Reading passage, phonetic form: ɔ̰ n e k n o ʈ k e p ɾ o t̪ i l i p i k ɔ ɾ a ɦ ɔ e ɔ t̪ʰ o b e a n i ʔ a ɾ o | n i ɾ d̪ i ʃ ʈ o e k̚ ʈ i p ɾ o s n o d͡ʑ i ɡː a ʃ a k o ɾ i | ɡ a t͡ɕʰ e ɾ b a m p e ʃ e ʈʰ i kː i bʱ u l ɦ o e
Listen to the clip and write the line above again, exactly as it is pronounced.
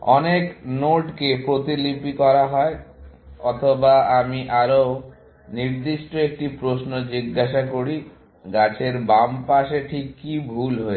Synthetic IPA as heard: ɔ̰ n e k n o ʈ k e p ɾ o t̪ i l i p i k ɔ ɾ a ɦ ɔ e ɔ t̪ʰ o b a a m i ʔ a ɾ o | n i ɾ d̪ i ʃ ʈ o e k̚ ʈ i p ɾ o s n o d͡ʑ i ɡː a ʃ a k o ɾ i | ɡ a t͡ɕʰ e ɾ b a m p a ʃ e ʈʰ i kː i bʱ u l ɦ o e